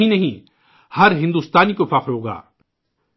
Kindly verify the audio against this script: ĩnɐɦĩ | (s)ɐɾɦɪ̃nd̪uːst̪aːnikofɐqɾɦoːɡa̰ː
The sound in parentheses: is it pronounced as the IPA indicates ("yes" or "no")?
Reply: no